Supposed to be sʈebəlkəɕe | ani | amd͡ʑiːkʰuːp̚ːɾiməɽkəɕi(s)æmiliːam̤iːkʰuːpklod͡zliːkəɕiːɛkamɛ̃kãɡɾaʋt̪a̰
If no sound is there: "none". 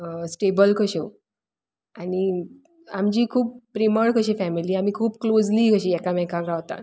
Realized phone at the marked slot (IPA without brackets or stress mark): f